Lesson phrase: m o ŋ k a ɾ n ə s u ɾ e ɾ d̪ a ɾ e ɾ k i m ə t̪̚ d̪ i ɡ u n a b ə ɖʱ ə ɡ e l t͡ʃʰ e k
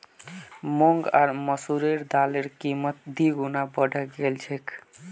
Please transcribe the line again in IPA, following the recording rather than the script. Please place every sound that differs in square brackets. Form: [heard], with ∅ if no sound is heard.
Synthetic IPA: m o ŋ [ɡ] a ɾ [m] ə s u ɾ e ɾ d̪ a [l] e ɾ k i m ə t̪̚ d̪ i ɡ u n a b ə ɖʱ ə ɡ e l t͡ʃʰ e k